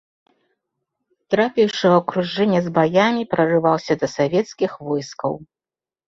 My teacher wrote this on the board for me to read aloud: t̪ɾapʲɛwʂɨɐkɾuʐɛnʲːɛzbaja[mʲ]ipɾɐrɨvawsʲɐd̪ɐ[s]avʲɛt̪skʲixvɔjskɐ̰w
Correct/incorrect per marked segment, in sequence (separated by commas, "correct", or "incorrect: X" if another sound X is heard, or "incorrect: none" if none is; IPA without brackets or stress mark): correct, correct